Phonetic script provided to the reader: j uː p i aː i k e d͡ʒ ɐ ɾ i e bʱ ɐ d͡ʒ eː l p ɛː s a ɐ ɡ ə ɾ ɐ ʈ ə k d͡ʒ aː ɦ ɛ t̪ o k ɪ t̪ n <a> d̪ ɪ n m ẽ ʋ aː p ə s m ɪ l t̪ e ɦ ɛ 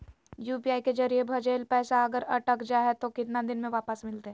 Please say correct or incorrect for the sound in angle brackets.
correct